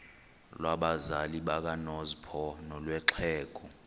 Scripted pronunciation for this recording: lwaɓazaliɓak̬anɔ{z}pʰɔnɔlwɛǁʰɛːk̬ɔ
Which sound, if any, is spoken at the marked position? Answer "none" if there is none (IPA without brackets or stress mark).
z